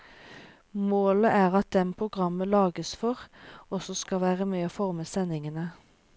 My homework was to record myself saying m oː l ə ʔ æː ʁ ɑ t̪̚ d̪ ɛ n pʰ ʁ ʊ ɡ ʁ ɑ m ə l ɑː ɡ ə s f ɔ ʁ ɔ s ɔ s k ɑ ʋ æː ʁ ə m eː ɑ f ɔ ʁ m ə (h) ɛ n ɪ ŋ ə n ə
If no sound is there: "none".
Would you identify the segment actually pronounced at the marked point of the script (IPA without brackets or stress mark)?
s